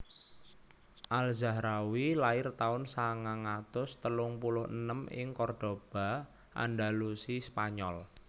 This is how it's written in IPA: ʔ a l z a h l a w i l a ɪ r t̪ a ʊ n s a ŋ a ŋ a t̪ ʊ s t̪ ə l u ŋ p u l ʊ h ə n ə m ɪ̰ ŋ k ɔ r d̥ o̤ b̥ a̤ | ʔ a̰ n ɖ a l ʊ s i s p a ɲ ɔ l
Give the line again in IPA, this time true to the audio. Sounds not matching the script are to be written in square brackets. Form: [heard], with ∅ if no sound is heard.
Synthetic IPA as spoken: ʔ a l z a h [ɾ] a w i l a ɪ r t̪ a ʊ n s a ŋ a ŋ a t̪ ʊ s t̪ ə l [ʊ] ŋ p u l ʊ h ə n ə m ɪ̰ ŋ k ɔ r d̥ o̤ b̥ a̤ | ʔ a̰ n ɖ a l [u] s i s p a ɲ ɔ l